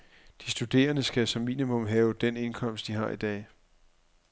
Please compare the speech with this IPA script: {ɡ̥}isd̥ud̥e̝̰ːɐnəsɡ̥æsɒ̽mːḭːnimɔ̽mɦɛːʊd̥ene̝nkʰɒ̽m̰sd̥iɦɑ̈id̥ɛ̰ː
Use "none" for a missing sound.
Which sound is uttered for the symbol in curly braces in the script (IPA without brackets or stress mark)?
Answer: d̥